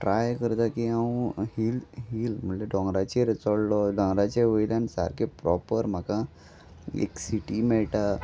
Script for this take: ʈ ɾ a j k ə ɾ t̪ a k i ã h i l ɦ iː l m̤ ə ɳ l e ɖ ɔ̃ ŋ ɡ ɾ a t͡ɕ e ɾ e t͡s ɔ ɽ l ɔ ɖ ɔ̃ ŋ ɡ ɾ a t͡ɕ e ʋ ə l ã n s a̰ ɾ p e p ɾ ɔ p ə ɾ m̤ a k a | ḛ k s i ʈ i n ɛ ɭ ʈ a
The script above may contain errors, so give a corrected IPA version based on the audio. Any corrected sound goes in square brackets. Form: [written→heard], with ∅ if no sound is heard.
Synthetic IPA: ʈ ɾ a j k ə ɾ t̪ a k i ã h i l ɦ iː l m̤ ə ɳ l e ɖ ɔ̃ ŋ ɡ ɾ a t͡ɕ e ɾ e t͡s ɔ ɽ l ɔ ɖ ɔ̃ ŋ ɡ ɾ a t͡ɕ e ʋ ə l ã n s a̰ ɾ [p→k] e p ɾ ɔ p ə ɾ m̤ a k a | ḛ k s i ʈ i [n→m] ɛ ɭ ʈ a